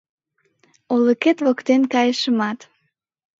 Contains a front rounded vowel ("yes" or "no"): no